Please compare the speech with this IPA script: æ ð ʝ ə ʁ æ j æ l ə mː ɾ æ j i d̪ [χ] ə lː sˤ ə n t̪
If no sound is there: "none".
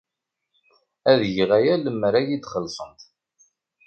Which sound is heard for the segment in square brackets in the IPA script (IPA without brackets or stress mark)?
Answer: χ